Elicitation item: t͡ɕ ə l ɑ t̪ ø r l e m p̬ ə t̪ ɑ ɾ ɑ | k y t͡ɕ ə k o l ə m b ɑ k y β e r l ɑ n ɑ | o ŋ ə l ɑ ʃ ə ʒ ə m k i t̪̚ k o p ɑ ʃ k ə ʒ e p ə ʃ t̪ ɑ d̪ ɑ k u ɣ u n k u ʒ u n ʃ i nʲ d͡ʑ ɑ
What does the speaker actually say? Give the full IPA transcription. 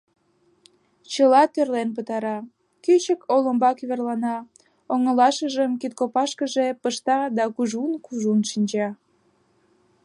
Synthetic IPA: t͡ɕ ə l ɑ t̪ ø r l e n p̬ ə t̪ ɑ ɾ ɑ | k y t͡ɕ ə k o l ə m b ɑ k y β e r l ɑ n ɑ | o ŋ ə l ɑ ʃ ə ʒ ə m k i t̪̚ k o p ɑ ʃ k ə ʒ e p ə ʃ t̪ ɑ d̪ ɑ k u ʒ u n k u ʒ u n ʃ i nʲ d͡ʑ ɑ